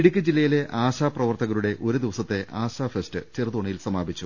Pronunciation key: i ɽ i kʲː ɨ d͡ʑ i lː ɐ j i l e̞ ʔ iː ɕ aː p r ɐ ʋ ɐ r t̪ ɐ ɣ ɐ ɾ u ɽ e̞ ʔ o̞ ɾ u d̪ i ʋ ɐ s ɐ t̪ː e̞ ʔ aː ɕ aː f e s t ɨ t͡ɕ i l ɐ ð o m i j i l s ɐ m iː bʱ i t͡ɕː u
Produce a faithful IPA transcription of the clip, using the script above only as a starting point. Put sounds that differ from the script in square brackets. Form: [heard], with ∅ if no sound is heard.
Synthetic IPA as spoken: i ɽ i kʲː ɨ d͡ʑ i lː ɐ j i l e̞ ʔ [aː] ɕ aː p r ɐ ʋ ɐ r t̪ ɐ ɣ ɐ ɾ u ɽ e̞ ʔ o̞ ɾ u d̪ i ʋ ɐ s ɐ t̪ː e̞ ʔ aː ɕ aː f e s t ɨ t͡ɕ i [r] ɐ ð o [ɳ] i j i l s ɐ m [aː] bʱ i t͡ɕː u